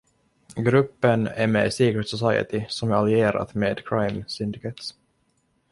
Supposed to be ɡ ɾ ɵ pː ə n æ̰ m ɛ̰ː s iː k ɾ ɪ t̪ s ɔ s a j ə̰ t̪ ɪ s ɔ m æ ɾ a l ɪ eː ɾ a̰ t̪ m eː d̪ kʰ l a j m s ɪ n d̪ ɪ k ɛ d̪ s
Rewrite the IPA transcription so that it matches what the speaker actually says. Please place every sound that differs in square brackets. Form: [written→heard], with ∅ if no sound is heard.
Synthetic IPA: ɡ ɾ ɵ pː ə n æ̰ m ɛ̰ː s iː k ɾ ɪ t̪ s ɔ s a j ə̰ t̪ ɪ s ɔ m æ ɾ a l ɪ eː ɾ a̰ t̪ m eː d̪ kʰ [l→ɾ] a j m s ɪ n d̪ ɪ k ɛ [d̪→t̪] s